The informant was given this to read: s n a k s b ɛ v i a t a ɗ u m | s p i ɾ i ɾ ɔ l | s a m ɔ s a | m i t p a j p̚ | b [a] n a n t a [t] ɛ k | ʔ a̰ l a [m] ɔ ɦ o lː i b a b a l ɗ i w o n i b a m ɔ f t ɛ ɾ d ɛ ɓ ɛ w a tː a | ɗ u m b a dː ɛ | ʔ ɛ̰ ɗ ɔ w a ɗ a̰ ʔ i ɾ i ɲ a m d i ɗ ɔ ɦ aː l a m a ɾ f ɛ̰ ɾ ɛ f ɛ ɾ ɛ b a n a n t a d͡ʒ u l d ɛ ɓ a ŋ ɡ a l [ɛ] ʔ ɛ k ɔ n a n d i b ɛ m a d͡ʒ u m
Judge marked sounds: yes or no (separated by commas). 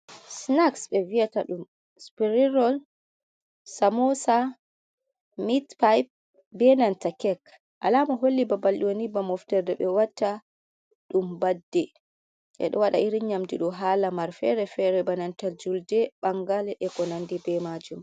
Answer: no, no, yes, yes